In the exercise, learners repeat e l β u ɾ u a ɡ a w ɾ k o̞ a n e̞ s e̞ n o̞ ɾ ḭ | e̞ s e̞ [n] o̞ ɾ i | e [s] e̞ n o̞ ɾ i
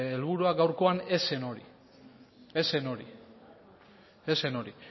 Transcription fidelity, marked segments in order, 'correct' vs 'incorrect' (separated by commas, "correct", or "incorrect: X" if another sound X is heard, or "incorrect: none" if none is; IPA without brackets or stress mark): correct, correct